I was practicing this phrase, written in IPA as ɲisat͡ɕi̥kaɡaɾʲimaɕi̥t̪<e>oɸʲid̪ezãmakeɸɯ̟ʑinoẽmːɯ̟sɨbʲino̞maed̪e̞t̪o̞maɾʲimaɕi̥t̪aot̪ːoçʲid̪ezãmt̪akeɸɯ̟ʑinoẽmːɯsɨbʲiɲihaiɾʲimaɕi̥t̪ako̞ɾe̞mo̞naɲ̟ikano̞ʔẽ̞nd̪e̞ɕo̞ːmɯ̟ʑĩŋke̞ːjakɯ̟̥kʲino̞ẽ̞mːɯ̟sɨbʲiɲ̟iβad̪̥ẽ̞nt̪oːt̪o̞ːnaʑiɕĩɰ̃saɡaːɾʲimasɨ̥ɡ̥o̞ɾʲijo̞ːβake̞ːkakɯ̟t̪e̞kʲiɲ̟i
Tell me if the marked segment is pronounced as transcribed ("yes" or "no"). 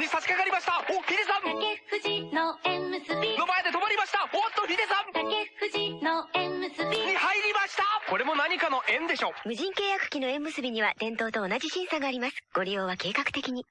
no